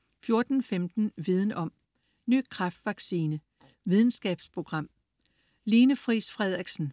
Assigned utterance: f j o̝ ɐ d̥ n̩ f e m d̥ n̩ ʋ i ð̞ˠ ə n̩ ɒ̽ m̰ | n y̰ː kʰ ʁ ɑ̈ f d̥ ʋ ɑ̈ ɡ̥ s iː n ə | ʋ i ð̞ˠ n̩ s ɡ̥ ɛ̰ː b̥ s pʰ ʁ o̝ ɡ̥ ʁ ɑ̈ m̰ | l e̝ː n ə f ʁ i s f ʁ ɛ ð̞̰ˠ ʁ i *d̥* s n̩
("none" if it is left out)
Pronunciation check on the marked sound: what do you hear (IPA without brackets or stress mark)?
ɡ̥